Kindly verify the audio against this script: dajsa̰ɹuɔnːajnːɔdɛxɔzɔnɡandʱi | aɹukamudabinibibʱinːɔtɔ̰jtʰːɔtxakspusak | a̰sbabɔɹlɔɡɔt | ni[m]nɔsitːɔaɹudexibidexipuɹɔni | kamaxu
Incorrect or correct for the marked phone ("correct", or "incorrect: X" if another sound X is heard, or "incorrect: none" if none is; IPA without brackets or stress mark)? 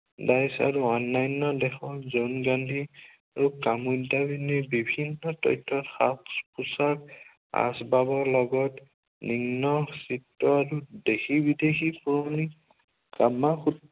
incorrect: ŋ